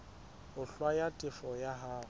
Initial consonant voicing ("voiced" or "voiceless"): voiceless